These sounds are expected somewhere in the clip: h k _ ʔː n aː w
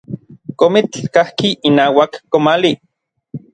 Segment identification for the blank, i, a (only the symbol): i